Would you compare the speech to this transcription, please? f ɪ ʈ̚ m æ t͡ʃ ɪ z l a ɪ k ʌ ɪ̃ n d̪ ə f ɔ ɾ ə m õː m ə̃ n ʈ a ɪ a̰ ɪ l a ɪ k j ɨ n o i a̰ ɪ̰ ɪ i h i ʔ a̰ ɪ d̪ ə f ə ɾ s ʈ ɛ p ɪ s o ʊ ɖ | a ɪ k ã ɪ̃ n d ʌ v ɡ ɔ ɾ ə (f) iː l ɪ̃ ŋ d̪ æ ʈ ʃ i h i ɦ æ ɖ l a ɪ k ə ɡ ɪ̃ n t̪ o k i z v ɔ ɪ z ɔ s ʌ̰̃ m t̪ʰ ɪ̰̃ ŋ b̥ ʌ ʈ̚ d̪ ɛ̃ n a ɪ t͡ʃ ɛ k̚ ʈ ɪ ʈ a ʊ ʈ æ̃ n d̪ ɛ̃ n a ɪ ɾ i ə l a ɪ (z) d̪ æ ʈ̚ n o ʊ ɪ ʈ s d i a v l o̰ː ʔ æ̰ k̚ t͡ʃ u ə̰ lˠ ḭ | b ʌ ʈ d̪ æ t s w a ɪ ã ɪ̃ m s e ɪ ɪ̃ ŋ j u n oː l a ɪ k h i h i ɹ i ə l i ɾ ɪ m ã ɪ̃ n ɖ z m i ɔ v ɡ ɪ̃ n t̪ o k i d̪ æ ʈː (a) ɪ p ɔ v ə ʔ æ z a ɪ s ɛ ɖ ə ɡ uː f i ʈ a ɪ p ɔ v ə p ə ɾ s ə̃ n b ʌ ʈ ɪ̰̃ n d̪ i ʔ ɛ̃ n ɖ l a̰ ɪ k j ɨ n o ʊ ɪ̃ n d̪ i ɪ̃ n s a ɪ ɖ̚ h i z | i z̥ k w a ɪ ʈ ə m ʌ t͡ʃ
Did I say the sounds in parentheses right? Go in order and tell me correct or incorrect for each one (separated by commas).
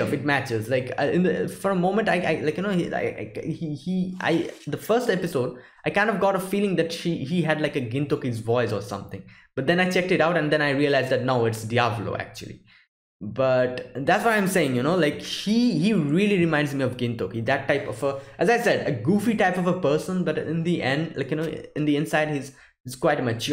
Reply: correct, correct, correct